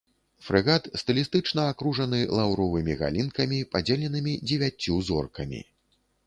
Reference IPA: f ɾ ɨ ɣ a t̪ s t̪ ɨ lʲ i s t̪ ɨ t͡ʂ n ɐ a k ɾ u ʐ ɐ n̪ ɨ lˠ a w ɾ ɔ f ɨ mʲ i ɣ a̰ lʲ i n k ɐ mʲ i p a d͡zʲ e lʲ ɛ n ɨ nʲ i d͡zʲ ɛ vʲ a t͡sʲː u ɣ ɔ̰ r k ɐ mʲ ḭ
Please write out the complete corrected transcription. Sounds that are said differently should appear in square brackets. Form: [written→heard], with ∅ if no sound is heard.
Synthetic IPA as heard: f ɾ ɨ ɣ a t̪ s t̪ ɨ lʲ i s t̪ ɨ t͡ʂ n ɐ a k ɾ u ʐ ɐ n̪ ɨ lˠ a w ɾ ɔ [f→v] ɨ mʲ i ɣ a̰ lʲ i n k ɐ mʲ i p a d͡zʲ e lʲ ɛ n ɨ [nʲ→mʲ] i d͡zʲ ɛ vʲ a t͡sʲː u [ɣ→z] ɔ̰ r k ɐ mʲ ḭ